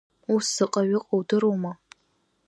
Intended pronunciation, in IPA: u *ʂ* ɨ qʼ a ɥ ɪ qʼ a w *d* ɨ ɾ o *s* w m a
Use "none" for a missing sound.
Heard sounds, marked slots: s, d, none

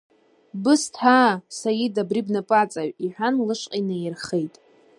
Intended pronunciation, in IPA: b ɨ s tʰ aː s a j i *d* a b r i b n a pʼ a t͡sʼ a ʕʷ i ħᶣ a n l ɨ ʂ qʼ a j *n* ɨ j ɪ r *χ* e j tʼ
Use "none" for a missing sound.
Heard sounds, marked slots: d, n, χ

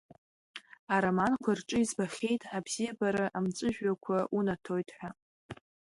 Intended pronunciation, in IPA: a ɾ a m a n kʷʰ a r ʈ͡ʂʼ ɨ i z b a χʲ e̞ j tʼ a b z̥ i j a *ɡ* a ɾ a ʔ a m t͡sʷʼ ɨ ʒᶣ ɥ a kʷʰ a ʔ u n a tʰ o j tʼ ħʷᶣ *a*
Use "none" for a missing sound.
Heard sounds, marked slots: b, a

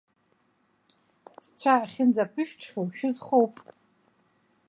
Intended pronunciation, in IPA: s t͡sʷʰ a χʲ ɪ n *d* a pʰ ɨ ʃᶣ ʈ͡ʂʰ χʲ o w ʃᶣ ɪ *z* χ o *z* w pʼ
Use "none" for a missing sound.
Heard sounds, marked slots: d͡z, z, none

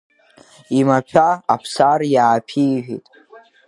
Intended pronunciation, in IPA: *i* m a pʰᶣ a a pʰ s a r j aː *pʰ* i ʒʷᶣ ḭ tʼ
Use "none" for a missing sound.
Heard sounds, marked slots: i, pʰ

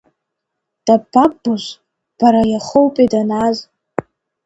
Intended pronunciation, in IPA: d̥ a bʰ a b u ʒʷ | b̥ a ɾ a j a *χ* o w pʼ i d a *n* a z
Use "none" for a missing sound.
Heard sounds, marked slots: χ, n

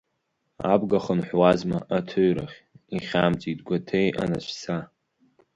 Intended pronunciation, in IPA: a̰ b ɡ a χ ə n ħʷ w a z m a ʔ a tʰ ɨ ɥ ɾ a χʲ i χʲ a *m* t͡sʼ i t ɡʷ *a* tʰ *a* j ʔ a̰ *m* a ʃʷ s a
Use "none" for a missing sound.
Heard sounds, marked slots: m, a, e, n

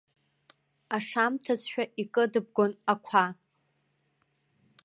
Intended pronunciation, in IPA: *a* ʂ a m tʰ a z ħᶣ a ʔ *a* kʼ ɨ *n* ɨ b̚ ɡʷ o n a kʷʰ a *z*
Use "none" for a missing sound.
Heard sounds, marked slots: a, i, d, none

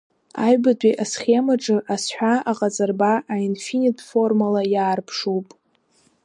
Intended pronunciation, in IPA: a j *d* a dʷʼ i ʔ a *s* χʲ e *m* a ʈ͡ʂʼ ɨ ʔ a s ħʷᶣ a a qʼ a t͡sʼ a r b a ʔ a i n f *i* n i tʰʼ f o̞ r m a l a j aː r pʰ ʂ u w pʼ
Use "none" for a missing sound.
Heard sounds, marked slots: b, s, m, i

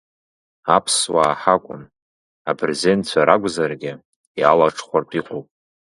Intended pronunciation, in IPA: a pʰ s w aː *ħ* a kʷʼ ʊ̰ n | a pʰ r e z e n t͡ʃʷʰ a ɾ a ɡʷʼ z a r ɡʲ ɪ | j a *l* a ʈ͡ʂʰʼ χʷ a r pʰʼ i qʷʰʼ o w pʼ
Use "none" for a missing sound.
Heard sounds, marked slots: ħ, l

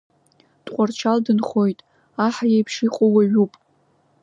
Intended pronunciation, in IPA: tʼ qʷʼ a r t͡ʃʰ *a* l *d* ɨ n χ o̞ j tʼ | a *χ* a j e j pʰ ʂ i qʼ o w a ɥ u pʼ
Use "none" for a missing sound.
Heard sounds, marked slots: a, d, ħ

